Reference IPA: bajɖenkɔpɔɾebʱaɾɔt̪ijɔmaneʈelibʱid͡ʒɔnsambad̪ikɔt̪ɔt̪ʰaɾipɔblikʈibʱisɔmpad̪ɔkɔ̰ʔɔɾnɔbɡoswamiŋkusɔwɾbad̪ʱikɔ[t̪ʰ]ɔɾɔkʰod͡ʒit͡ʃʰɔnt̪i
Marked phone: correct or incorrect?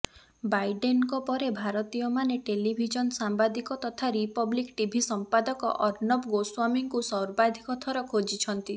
correct